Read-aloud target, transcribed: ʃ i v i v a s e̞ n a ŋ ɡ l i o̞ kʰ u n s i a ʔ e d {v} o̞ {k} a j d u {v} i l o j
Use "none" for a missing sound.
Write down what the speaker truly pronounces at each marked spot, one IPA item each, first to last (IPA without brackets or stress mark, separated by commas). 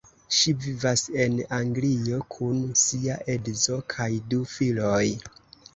z, kʰ, f